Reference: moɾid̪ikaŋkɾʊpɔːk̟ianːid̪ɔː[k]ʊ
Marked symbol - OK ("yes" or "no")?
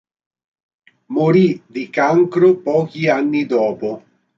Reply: no